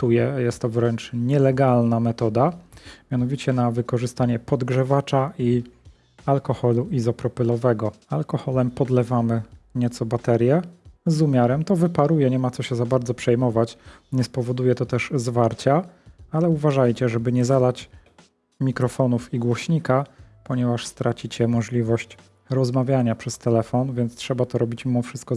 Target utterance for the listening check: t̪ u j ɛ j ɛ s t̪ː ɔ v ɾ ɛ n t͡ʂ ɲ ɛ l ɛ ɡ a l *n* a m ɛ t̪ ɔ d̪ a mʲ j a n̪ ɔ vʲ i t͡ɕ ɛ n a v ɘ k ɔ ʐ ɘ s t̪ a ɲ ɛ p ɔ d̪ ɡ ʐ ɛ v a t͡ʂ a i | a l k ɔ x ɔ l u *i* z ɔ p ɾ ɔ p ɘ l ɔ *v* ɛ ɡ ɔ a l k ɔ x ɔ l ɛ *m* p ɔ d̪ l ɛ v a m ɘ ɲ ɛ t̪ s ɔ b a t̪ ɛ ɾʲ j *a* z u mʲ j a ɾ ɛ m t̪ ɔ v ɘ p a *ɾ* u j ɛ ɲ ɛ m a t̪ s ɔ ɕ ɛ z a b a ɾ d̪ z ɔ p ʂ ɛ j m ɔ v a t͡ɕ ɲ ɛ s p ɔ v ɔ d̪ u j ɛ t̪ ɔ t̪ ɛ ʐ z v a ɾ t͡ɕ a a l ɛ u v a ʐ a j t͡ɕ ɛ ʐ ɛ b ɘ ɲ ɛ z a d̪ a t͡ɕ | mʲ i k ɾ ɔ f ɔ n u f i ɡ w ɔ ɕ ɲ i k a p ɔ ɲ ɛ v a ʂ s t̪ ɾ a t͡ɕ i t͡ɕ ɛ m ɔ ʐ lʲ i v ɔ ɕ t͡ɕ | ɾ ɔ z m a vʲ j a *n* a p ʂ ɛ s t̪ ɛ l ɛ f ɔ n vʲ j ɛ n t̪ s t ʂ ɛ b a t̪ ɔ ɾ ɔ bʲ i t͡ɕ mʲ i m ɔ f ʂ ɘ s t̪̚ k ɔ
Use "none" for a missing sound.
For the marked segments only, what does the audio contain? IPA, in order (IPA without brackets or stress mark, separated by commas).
n, i, v, m, ɛ, ɾ, ɲ